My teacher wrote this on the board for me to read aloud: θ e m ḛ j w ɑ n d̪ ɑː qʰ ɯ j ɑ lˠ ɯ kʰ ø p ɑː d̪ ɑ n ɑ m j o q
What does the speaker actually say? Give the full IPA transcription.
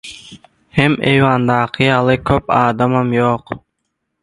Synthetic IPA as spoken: h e m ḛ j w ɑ n d̪ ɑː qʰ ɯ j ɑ lˠ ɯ kʰ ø p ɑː d̪ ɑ m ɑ m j o q

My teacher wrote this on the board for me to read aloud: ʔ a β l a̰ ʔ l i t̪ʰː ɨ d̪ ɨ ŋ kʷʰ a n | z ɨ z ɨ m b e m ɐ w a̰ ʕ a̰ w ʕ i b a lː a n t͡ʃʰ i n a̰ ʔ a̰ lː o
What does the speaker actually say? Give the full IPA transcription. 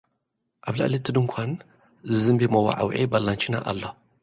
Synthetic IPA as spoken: ʔ a β l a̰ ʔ l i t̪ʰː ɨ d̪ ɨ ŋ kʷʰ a n | z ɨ z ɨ m b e m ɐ w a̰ ʕ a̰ w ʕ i b a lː a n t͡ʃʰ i n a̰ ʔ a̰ lː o

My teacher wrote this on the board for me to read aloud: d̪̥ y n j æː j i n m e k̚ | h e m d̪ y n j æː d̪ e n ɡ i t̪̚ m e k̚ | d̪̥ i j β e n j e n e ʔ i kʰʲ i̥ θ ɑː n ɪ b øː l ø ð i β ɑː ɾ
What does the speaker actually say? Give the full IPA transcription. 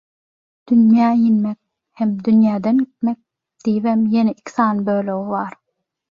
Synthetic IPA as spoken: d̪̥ y n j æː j i n m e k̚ | h e m d̪ y n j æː d̪ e n ɡ i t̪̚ m e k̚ | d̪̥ i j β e m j e n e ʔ i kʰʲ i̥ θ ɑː n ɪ b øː l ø ɣ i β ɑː ɾ

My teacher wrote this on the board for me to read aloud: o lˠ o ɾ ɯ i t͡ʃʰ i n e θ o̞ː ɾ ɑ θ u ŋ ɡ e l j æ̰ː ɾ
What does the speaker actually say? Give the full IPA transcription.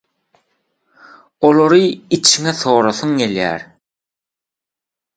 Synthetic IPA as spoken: o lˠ o ɾ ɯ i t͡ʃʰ i ŋ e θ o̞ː ɾ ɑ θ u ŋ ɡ e l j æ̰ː ɾ

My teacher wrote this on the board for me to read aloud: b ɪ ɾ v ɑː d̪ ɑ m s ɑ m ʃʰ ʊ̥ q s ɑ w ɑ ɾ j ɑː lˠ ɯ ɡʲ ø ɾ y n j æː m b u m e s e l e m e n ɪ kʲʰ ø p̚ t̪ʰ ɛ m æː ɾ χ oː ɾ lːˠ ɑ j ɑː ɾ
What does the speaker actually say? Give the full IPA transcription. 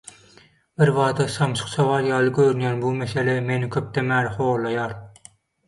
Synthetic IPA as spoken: b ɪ ɾ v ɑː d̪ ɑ s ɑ m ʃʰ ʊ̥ q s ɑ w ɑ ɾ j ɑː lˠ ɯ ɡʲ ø ɾ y n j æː n b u m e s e l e m e n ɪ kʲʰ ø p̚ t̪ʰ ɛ m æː ɾ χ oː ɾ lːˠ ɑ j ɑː ɾ

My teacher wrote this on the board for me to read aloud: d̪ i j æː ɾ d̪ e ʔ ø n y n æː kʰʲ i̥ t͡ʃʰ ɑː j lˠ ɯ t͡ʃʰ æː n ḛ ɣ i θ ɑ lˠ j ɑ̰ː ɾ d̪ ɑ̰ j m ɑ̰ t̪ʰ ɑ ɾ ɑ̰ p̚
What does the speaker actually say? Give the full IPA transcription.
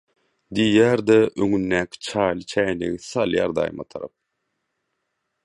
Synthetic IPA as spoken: d̪ i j æː ɾ d̪ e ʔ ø ŋ y nː æː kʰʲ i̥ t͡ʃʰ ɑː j lˠ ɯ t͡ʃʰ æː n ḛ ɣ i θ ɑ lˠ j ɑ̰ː ɾ d̪ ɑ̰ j m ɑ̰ t̪ʰ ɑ ɾ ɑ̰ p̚

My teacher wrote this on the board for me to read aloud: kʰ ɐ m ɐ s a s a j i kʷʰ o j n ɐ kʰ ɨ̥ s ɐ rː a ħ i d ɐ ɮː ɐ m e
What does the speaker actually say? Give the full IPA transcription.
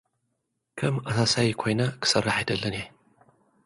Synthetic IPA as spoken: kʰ ɐ m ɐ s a s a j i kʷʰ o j n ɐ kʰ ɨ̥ s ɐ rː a ħ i d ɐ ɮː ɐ n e

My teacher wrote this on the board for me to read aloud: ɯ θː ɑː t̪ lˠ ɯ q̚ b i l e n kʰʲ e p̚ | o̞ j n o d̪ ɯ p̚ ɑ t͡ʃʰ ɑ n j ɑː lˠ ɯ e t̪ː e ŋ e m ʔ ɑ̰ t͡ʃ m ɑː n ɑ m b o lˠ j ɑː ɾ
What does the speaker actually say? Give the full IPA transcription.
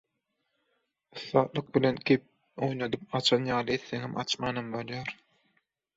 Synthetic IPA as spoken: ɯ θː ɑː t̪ lˠ ɯ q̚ b i l e n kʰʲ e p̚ | o̞ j n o d̪ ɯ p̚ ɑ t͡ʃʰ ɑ n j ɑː lˠ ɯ e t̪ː e ŋ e m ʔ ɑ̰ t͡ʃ m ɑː n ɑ m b o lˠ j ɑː ɾ

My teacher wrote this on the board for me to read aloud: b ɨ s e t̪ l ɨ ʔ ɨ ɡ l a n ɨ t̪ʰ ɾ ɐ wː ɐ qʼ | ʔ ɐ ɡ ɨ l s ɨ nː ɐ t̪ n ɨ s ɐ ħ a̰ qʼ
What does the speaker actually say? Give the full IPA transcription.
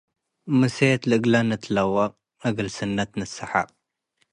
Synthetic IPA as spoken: m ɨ s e t̪ l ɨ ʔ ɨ ɡ l a n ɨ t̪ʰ l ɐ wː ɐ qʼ | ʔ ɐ ɡ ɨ l s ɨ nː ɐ t̪ n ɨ s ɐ ħ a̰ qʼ

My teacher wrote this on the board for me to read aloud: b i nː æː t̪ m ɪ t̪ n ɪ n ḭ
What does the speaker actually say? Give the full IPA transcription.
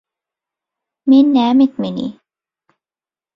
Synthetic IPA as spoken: m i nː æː m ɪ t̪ m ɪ n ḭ

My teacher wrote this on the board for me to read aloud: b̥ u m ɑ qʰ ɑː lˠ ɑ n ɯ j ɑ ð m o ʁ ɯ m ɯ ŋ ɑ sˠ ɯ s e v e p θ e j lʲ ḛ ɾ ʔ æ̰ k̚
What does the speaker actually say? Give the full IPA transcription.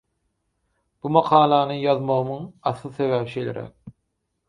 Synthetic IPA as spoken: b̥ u m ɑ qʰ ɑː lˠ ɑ n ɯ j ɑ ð m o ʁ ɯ m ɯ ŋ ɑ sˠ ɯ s e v æ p ʃ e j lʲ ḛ ɾ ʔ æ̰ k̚

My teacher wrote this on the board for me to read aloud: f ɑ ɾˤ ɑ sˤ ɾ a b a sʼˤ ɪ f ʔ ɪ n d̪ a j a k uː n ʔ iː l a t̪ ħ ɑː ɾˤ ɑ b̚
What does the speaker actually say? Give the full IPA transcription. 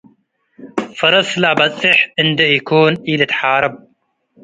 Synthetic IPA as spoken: f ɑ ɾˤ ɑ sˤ l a b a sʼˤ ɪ ħ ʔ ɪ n d̪ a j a k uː n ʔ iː l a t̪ ħ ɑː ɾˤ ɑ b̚

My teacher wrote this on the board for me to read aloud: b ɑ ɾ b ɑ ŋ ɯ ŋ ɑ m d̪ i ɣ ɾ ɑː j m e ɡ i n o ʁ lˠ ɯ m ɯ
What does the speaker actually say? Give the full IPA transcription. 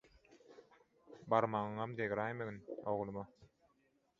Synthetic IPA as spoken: b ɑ ɾ m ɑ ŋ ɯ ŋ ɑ m d̪ e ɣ ɾ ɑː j m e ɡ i n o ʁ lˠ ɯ m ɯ

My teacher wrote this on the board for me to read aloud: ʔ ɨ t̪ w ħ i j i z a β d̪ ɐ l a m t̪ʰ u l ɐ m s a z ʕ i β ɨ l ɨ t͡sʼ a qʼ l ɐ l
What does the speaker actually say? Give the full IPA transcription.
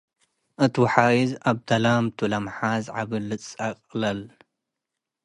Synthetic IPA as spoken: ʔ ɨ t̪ w ħ a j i z a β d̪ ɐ l a m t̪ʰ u l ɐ m ħ a z ʕ a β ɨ l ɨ t͡sʼ a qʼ l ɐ l

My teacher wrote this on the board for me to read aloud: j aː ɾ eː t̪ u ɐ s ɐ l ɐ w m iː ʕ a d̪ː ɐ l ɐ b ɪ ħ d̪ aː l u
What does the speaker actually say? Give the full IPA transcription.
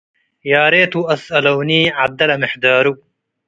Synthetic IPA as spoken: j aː ɾ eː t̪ u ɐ s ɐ l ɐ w n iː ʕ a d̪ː ɐ l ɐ m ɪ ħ d̪ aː ɾ u

